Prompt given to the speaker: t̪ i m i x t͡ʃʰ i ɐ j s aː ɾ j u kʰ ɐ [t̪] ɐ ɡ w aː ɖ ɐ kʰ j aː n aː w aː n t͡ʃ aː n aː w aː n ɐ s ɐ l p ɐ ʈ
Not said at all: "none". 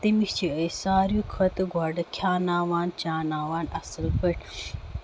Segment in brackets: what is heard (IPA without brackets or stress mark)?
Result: t̪